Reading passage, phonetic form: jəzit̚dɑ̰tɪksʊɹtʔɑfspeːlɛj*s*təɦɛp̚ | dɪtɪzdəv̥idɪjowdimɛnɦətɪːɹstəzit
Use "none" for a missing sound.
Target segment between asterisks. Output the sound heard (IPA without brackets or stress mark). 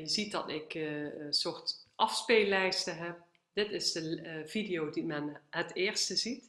s